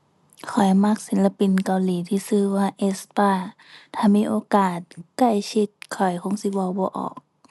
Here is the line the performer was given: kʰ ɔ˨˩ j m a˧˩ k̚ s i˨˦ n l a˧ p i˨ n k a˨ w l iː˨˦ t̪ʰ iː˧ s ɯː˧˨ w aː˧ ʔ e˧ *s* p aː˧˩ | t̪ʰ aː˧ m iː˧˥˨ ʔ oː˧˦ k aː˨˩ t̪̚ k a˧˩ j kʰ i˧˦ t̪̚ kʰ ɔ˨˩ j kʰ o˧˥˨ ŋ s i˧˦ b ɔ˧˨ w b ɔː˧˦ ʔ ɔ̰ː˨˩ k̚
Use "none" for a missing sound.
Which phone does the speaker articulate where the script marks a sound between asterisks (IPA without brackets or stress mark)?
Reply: s